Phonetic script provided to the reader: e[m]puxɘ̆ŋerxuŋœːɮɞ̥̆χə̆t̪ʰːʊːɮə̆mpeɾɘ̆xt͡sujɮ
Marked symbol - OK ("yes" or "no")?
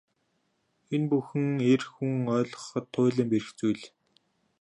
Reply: no